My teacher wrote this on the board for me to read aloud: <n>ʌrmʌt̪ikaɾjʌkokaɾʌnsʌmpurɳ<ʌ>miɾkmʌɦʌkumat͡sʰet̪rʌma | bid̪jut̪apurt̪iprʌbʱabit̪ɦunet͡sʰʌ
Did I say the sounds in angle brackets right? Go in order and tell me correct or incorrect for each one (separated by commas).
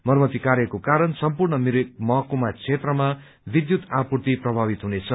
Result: incorrect, correct